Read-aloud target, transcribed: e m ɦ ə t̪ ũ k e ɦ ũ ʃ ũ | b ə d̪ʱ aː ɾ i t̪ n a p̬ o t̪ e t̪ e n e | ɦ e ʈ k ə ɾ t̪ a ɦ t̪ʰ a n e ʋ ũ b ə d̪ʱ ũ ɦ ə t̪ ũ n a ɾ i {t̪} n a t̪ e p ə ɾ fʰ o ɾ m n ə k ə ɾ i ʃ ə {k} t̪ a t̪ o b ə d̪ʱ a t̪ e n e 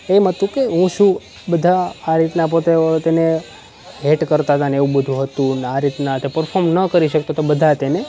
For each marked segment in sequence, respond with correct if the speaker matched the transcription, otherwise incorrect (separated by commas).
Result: correct, correct